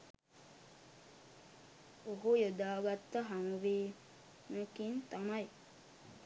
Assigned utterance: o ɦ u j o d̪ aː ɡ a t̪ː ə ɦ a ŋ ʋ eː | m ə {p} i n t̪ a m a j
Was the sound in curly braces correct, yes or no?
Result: no